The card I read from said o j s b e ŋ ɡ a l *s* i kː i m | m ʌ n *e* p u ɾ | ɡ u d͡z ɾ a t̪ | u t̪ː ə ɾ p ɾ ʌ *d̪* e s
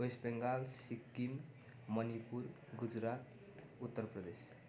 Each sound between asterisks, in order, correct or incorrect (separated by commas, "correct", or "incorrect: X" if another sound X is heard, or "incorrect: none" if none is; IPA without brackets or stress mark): correct, incorrect: i, correct